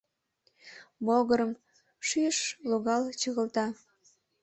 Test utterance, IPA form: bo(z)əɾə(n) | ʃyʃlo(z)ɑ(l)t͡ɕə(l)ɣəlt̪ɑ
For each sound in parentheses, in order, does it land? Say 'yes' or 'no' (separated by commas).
no, no, no, yes, no